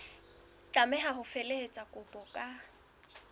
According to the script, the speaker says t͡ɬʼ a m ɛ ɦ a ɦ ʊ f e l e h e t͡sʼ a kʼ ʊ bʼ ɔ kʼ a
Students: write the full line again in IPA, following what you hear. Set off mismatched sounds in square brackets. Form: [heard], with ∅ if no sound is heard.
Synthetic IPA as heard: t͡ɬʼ a m ɛ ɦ a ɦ ʊ f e l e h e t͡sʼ a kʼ ʊ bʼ ɔ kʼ a